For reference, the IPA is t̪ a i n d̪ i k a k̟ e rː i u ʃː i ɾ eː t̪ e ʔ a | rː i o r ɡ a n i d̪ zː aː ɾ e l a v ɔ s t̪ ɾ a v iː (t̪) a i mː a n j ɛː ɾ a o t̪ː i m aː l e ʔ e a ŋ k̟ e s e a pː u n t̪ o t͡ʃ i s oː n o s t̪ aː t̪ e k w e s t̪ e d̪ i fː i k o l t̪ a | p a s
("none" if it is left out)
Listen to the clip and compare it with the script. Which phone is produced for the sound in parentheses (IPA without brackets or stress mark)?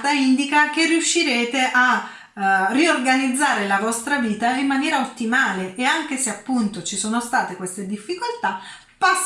t̪